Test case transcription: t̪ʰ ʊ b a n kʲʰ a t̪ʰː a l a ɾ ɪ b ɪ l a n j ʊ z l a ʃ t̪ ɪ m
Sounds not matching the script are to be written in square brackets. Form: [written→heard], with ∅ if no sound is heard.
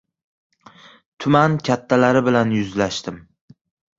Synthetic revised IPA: t̪ʰ ʊ [b→m] a n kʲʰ a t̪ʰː a l a ɾ ɪ b ɪ l a n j ʊ z l a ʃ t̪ ɪ m